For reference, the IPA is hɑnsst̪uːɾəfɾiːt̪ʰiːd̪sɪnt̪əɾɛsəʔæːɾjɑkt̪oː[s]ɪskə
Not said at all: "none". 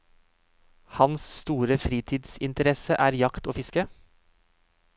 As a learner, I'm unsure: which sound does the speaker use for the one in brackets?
f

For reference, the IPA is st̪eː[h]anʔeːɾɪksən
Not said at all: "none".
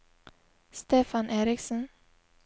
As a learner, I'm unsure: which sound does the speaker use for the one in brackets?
f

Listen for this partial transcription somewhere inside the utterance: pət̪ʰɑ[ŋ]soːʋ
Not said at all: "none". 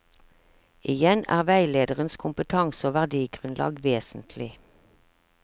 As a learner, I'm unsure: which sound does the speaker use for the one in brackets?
ŋ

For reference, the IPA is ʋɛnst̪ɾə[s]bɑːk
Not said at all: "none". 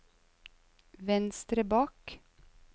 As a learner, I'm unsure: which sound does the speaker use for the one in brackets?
none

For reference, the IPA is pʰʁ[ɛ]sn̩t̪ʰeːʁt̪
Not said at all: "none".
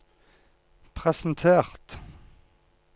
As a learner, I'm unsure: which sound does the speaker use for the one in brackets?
ɛ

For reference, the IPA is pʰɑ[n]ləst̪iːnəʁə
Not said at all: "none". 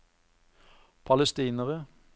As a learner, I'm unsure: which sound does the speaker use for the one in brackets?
none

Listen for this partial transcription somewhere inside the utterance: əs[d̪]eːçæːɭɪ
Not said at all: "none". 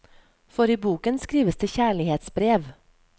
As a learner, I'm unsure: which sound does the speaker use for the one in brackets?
d̪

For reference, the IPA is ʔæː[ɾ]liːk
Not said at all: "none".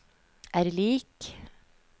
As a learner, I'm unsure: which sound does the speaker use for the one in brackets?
ɾ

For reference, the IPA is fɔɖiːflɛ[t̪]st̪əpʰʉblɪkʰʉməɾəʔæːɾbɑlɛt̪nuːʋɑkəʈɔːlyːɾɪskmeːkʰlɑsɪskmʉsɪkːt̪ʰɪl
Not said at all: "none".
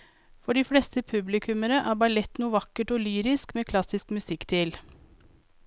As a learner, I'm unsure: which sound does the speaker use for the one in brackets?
none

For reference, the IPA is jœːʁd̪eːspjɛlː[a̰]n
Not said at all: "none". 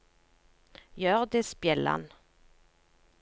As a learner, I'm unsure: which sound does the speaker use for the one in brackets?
a̰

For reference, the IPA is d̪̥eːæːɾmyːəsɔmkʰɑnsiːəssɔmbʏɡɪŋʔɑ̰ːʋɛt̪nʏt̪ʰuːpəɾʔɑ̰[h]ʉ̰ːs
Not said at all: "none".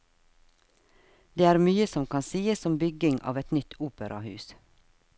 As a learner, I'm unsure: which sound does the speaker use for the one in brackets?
h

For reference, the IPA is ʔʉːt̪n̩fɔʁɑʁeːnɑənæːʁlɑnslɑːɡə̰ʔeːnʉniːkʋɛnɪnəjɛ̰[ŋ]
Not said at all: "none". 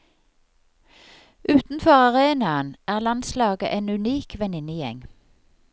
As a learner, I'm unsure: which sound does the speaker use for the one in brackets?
ŋ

